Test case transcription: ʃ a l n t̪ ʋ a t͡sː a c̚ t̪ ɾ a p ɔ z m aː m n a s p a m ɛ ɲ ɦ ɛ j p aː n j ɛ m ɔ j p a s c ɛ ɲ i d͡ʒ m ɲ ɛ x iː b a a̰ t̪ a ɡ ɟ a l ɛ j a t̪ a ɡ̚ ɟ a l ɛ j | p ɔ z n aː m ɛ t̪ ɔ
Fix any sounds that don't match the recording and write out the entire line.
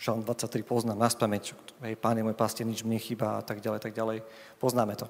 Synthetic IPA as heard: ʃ a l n d̪ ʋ a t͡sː a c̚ t̪ ɾ i p ɔ z n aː m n a s p a m ɛ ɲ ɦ ɛ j p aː n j ɛ m ɔ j p a s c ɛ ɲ i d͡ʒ m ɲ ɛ x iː b a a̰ t̪ a ɡ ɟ a l ɛ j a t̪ a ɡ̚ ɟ a l ɛ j | p ɔ z n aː m ɛ t̪ ɔ